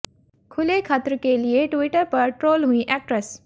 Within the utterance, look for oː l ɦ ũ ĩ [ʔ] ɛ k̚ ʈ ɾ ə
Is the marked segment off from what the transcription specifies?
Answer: no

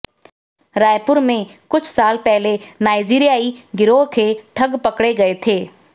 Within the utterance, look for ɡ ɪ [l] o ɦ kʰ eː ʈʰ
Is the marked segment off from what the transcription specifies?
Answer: yes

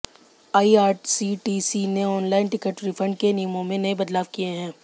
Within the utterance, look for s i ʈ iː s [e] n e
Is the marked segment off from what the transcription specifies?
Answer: yes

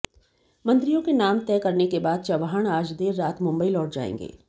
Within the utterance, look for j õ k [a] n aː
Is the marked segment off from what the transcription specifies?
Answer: yes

